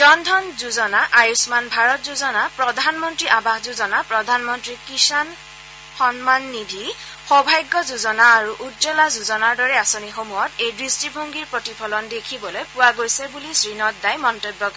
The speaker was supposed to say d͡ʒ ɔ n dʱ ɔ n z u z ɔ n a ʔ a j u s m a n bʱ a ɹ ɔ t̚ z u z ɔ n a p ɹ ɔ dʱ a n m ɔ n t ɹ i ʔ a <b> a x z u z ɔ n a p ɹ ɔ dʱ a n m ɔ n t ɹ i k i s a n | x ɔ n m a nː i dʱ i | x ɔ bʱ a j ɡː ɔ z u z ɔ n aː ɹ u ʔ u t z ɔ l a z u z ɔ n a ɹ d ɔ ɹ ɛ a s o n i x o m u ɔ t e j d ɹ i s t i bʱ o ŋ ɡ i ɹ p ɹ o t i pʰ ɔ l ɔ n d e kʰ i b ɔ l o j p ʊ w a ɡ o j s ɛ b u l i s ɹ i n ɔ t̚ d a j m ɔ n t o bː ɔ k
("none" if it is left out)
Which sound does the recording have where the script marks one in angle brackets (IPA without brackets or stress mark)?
b